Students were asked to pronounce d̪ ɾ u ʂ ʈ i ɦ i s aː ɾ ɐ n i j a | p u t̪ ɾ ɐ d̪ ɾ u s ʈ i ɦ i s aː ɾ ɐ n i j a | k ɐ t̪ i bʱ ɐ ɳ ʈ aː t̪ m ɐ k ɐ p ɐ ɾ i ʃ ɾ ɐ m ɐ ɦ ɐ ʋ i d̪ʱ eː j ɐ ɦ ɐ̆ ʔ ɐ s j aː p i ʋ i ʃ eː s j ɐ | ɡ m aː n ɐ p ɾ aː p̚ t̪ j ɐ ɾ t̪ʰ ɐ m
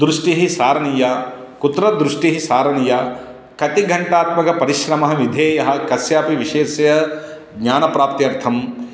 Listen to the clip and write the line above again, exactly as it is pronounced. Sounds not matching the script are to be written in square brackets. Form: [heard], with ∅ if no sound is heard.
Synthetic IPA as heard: d̪ ɾ u ʂ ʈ i ɦ i s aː ɾ ɐ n i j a | [k] u t̪ ɾ ɐ d̪ ɾ u [ʂ] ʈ i ɦ i s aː ɾ ɐ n i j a | k ɐ t̪ i [ɡʱ] ɐ ɳ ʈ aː t̪ m ɐ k ɐ p ɐ ɾ i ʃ ɾ ɐ m ɐ ɦ ɐ ʋ i d̪ʱ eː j ɐ ɦ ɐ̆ [k] ɐ s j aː p i ʋ i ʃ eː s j ɐ | ɡ [ɲ] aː n ɐ p ɾ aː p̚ t̪ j ɐ ɾ t̪ʰ ɐ m